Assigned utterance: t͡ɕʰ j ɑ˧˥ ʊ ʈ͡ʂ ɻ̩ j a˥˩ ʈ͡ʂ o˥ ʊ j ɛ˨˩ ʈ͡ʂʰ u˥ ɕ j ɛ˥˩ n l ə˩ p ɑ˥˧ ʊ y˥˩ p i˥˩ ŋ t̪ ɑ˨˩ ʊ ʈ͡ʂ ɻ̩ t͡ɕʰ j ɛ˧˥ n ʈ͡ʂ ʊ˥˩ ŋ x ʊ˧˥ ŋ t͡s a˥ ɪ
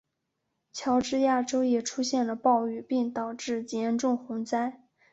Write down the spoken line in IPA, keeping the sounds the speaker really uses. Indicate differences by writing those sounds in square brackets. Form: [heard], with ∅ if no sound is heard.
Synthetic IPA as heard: t͡ɕʰ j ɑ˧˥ ʊ ʈ͡ʂ ɻ̩ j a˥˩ ʈ͡ʂ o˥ ʊ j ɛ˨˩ ʈ͡ʂʰ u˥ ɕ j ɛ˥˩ n l ə˩ p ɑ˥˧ ʊ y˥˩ p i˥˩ ŋ t̪ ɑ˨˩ ʊ ʈ͡ʂ ɻ̩ [t͡ɕ] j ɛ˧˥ n ʈ͡ʂ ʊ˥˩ ŋ x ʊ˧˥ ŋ t͡s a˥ ɪ